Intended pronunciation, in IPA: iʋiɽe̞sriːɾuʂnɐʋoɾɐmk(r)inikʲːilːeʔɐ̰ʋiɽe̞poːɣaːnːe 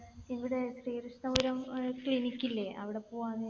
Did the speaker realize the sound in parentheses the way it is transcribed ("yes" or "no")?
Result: no